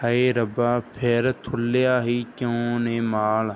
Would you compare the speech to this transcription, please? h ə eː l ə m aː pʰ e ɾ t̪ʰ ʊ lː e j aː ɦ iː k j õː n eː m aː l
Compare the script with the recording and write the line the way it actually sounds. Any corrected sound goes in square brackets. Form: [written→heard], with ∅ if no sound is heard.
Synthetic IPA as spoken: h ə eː [l→ɾ] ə [m→b] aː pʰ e ɾ t̪ʰ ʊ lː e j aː ɦ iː k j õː n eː m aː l